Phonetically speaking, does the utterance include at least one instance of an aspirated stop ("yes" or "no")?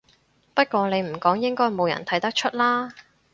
yes